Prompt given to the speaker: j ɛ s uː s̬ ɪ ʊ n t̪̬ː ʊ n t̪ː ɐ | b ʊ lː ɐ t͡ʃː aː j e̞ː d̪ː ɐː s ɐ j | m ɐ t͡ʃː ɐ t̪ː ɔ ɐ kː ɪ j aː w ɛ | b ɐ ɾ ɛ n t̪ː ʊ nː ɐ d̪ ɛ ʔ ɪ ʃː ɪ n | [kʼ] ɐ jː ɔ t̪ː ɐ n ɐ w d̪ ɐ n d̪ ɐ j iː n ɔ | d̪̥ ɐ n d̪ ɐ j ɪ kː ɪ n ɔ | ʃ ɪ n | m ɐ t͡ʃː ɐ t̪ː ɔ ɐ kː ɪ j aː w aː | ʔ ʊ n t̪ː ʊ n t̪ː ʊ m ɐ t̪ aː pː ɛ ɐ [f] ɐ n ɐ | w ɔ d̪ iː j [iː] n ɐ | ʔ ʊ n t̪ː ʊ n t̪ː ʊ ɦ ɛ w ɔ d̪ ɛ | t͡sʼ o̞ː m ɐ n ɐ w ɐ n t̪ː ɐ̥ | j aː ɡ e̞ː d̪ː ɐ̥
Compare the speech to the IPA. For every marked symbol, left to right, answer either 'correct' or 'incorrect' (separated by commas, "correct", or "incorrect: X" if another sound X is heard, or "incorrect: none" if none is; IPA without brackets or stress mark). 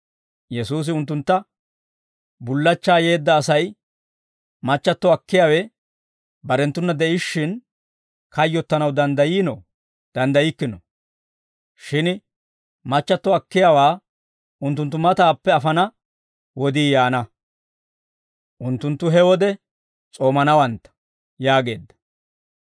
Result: incorrect: k, correct, incorrect: aː